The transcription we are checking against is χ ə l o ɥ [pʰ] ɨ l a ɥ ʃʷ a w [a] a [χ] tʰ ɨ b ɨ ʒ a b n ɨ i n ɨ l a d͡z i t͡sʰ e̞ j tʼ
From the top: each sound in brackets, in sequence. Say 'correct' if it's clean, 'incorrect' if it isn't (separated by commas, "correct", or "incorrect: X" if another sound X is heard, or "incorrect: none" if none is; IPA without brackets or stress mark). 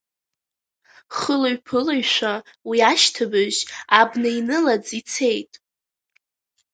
correct, incorrect: i, incorrect: ʃ